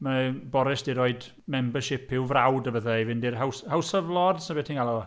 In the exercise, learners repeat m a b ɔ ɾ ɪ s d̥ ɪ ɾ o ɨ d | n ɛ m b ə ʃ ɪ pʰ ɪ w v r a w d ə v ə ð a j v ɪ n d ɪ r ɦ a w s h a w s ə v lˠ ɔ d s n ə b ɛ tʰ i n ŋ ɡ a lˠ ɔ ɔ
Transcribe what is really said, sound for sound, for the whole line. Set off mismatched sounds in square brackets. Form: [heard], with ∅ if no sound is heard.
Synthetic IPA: m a b ɔ ɾ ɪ s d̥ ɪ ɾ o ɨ d | [m] ɛ m b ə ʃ ɪ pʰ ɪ w v r a w d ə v ə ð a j v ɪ n d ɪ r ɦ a w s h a w s ə v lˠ ɔ d s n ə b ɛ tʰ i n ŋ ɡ a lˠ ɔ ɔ